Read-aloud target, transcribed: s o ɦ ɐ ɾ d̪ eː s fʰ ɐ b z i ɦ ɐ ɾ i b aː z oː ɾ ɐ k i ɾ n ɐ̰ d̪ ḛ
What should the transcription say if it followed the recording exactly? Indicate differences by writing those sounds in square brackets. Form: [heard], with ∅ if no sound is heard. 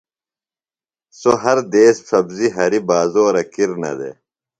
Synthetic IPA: s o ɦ ɐ ɾ d̪ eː s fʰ ɐ b z i ɦ ɐ ɾ i b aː z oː ɾ ɐ k i ɾ n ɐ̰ d̪ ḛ